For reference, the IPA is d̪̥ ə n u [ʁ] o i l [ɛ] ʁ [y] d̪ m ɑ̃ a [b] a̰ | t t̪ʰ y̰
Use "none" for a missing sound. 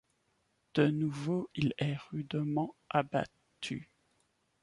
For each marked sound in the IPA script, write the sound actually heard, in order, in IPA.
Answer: v, ɛ, y, b

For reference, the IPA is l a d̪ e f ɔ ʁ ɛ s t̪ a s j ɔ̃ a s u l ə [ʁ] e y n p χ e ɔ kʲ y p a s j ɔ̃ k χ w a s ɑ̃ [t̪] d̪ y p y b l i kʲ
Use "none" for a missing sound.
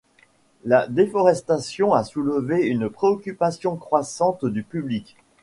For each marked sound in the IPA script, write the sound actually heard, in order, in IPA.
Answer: v, t̪

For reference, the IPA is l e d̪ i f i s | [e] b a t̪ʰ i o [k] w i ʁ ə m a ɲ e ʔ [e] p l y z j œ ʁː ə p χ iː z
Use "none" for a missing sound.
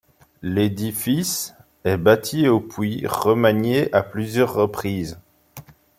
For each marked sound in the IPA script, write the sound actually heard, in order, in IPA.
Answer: ɛ, p, a

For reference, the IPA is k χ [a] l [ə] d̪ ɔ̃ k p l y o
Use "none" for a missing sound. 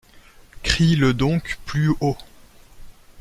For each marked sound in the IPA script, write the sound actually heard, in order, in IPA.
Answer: i, ə

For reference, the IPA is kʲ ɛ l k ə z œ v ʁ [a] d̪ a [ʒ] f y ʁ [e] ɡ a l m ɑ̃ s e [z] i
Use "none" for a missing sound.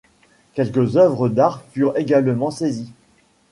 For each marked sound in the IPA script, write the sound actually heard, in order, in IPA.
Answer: ə, ʁ, e, z

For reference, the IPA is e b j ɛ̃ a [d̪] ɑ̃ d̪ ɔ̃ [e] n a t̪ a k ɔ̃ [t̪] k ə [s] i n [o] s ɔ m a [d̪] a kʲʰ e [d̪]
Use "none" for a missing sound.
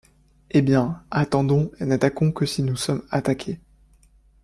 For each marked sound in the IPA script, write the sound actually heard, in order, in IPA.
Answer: t̪, e, none, s, u, t̪, none

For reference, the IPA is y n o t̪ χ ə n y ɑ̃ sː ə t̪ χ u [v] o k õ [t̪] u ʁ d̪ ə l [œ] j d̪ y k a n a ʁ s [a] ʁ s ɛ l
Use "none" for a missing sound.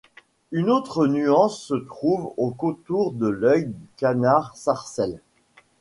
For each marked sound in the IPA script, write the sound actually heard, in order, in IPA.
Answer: v, t̪, œ, a

